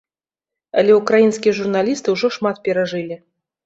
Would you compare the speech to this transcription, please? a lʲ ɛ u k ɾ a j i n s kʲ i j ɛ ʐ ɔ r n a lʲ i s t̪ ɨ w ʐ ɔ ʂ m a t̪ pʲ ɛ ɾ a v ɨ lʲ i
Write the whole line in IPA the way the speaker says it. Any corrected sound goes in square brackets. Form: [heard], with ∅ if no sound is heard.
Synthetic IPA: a lʲ ɛ u k ɾ a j i n s kʲ i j ɛ ʐ [u] r n a lʲ i s t̪ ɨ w ʐ ɔ ʂ m a t̪ pʲ ɛ ɾ a [ʐ] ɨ lʲ i